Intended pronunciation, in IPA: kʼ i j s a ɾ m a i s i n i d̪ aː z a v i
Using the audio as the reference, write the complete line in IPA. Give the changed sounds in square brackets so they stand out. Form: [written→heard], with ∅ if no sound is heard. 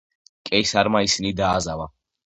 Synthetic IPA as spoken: kʼ [i→ɛ] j s a ɾ m a i s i n i d̪ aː z a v [i→a]